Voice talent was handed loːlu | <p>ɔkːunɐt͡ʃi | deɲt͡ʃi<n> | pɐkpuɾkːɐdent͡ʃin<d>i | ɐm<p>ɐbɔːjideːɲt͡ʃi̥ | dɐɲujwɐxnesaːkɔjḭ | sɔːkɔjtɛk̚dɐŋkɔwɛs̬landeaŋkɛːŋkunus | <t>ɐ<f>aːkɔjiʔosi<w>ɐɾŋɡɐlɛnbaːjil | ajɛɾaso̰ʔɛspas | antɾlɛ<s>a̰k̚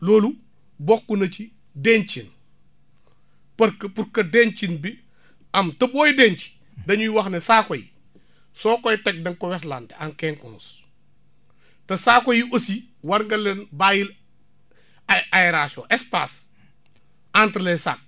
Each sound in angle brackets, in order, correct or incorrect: incorrect: b, correct, incorrect: b, incorrect: t, correct, incorrect: s, correct, correct

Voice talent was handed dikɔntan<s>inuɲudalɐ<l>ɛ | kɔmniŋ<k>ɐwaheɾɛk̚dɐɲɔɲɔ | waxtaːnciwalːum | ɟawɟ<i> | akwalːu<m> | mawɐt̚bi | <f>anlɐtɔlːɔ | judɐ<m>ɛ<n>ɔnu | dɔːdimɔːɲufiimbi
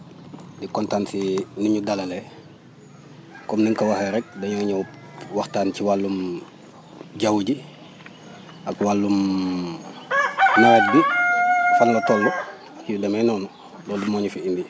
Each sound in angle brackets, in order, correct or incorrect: correct, correct, correct, correct, correct, correct, correct, correct

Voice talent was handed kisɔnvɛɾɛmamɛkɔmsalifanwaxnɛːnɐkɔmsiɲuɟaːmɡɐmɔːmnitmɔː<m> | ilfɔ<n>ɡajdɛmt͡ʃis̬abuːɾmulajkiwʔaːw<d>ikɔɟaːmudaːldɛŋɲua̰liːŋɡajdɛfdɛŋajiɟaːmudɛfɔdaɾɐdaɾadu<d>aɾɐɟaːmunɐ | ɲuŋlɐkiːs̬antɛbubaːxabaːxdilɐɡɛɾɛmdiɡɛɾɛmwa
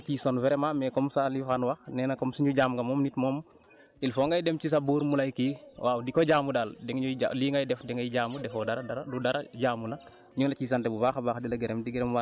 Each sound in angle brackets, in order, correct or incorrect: correct, incorrect: ŋ, correct, correct

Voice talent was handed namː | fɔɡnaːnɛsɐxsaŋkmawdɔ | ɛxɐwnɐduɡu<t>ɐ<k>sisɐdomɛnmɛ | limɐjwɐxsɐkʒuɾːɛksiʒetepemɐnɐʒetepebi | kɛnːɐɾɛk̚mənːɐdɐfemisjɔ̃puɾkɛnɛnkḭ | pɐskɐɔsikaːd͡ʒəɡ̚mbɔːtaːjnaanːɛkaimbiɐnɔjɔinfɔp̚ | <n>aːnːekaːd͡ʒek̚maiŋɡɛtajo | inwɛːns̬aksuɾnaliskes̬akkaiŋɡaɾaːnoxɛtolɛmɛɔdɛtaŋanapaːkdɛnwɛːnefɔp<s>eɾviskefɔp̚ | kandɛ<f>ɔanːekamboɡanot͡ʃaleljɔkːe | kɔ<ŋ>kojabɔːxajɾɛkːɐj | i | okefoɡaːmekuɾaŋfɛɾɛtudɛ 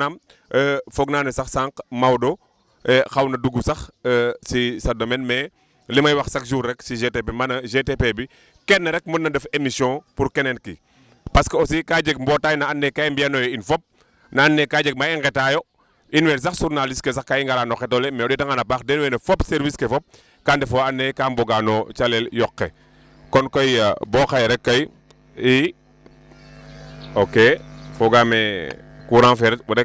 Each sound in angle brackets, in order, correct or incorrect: incorrect: s, incorrect: x, correct, correct, correct, incorrect: n

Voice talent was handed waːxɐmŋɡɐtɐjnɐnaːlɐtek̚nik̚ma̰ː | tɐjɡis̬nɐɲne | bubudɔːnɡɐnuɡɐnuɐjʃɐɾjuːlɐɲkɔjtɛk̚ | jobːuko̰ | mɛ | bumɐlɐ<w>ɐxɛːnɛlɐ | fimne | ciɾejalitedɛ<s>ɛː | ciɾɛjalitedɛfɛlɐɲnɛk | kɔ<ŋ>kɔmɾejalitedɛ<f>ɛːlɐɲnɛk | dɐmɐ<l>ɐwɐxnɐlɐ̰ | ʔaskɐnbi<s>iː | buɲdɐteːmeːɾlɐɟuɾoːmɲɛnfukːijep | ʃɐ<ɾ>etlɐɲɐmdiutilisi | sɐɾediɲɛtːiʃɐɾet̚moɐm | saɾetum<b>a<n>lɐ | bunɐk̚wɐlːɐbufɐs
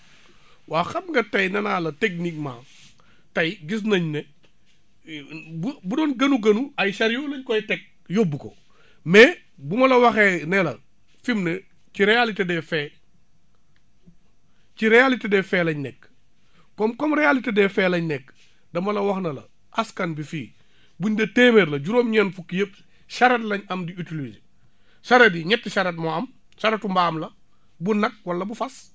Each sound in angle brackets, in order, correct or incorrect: correct, incorrect: f, incorrect: m, correct, correct, incorrect: f, correct, correct, incorrect: m

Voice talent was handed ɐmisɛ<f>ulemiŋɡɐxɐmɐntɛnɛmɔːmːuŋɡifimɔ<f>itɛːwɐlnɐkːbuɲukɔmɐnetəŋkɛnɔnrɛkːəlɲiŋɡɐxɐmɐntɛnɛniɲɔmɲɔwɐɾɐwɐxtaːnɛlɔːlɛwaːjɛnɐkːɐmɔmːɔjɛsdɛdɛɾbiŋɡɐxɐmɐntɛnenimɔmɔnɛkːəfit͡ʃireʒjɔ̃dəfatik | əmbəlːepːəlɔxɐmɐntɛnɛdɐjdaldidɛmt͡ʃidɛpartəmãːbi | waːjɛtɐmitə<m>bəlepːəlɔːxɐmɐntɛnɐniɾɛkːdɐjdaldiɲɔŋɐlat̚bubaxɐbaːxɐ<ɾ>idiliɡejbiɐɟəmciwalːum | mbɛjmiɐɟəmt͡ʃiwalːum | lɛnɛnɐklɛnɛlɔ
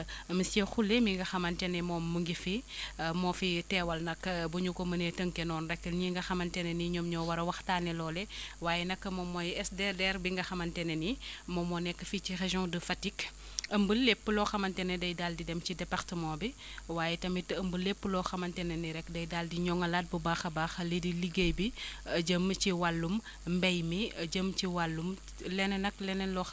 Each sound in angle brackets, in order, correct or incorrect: incorrect: x, correct, correct, incorrect: l

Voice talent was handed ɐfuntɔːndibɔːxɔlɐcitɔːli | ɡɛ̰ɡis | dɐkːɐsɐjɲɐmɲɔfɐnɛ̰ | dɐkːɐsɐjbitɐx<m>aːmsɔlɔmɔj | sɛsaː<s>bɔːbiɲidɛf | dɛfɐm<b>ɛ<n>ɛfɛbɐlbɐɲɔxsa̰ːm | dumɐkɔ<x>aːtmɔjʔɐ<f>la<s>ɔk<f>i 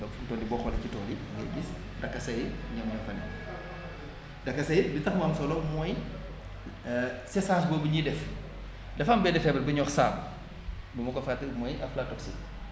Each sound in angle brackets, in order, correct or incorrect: correct, correct, correct, incorrect: d, incorrect: f, correct, incorrect: t, incorrect: s

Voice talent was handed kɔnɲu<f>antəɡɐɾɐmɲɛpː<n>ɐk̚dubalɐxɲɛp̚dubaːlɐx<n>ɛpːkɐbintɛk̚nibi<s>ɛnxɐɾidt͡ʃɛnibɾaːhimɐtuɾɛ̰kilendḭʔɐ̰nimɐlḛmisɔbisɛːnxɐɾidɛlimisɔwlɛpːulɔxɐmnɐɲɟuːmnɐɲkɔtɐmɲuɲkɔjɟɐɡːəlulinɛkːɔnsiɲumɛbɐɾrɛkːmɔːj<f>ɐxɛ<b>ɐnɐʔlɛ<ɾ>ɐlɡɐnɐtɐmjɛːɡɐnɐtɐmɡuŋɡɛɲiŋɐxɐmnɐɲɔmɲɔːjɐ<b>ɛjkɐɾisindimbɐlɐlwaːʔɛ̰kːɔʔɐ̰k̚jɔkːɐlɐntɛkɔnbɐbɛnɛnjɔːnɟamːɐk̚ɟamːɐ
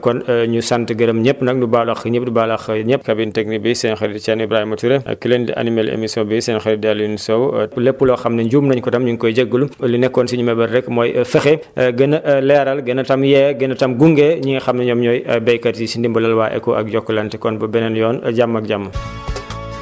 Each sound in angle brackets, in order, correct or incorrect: incorrect: s, correct, incorrect: ɲ, correct, correct, incorrect: ɡ, correct, correct

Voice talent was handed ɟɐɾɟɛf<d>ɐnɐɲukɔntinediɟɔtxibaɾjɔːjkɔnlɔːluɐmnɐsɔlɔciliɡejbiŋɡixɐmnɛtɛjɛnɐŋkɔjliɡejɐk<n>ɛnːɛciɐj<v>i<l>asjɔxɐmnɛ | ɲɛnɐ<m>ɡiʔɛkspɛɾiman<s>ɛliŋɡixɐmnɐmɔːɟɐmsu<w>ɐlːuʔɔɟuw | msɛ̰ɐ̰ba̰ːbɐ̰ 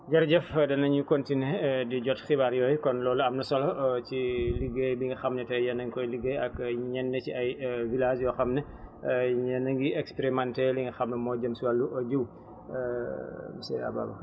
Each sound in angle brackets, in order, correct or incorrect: correct, incorrect: ɲ, correct, correct, incorrect: ŋ, incorrect: t, correct

